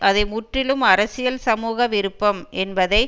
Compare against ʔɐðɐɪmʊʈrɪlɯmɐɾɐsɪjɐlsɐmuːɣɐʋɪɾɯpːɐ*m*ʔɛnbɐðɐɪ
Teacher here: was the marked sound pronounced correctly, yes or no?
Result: yes